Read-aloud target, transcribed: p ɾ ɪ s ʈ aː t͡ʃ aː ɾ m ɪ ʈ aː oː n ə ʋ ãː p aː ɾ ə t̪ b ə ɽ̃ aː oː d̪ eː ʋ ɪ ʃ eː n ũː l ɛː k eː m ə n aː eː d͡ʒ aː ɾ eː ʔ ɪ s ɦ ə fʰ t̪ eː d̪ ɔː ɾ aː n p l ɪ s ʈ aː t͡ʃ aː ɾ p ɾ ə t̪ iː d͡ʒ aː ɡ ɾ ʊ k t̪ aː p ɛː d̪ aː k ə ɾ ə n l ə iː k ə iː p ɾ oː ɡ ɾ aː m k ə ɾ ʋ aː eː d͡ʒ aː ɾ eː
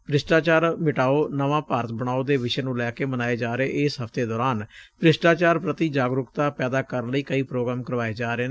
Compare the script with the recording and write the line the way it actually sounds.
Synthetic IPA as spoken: p ɾ ɪ s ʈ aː t͡ʃ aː ɾ m ɪ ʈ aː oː n ə ʋ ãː p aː ɾ ə t̪ b ə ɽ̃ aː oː d̪ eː ʋ ɪ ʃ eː n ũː l ɛː k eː m ə n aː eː d͡ʒ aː ɾ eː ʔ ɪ s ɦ ə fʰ t̪ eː d̪ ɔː ɾ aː n p ɾ ɪ s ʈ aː t͡ʃ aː ɾ p ɾ ə t̪ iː d͡ʒ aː ɡ ɾ ʊ k t̪ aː p ɛː d̪ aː k ə ɾ ə n l ə iː k ə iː p ɾ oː ɡ ɾ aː m k ə ɾ ʋ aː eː d͡ʒ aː ɾ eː

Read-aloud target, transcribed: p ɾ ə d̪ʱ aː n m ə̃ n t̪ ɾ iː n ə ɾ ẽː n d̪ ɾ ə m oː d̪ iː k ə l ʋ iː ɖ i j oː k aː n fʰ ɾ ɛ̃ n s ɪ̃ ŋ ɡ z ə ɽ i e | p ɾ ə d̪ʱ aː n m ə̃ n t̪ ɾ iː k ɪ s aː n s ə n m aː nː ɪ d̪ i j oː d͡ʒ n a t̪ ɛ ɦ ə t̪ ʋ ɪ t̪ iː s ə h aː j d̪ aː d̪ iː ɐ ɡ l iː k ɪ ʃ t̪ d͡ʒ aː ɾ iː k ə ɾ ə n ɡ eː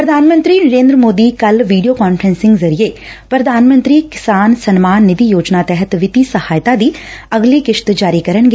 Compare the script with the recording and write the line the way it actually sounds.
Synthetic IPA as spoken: p ɾ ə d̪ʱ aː n m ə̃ n t̪ ɾ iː n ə ɾ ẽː n d̪ ɾ ə m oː d̪ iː k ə l ʋ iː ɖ i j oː k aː n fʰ ɾ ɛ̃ n s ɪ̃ ŋ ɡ z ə ɾ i e | p ɾ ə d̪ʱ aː n m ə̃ n t̪ ɾ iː k ɪ s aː n s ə n m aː nː ɪ d̪ i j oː d͡ʒ n a t̪ ɛ ɦ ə t̪ ʋ ɪ t̪ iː s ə h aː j t̪ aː d̪ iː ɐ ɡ l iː k ɪ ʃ t̪ d͡ʒ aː ɾ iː k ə ɾ ə n ɡ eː

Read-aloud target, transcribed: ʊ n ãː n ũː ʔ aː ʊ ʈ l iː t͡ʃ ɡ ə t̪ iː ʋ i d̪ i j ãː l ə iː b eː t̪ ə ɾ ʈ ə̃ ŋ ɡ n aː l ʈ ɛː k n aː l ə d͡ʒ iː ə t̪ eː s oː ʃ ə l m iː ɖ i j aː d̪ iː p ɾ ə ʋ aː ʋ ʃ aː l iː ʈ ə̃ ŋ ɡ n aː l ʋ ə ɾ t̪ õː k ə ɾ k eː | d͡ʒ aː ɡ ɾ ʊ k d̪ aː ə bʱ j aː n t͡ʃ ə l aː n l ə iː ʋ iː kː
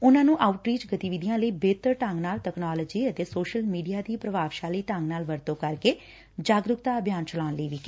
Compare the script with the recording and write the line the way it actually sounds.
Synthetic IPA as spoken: ʊ n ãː n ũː ʔ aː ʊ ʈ ɾ iː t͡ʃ ɡ ə t̪ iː ʋ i d̪ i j ãː l ə iː b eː t̪ ə ɾ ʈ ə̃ ŋ ɡ n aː l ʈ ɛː k n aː l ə d͡ʒ iː ə t̪ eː s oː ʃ ə l m iː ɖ i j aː d̪ iː p ɾ ə ʋ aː ʋ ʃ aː l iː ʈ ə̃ ŋ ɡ n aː l ʋ ə ɾ t̪ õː k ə ɾ k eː | d͡ʒ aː ɡ ɾ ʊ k t̪ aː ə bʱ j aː n t͡ʃ ə l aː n l ə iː ʋ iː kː

